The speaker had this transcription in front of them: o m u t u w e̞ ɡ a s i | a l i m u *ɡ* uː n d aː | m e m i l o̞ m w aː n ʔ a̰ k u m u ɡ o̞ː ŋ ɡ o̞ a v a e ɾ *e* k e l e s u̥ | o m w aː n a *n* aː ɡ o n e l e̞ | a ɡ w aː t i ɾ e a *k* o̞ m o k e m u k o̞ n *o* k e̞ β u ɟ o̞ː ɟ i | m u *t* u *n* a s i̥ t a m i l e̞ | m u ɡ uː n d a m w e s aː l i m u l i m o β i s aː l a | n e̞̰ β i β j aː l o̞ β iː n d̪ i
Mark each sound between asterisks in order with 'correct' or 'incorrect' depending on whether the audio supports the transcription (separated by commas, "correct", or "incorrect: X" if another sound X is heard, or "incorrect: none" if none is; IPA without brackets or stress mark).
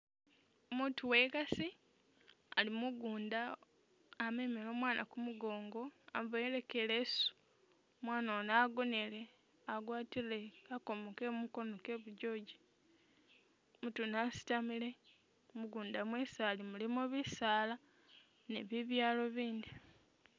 correct, correct, correct, correct, correct, correct, correct